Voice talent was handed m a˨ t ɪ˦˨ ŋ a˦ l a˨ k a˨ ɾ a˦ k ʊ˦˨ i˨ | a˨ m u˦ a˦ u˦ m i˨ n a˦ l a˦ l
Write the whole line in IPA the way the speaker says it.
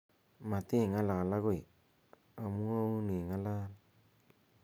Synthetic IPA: m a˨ t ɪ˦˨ ŋ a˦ l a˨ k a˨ l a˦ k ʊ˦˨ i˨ | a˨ m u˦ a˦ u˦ n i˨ ŋ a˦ l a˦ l